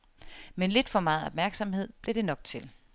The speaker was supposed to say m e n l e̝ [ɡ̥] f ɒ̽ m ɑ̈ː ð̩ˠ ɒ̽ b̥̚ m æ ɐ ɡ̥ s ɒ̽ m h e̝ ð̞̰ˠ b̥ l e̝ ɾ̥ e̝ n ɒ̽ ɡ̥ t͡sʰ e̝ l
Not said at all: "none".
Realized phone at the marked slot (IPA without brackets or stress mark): d̥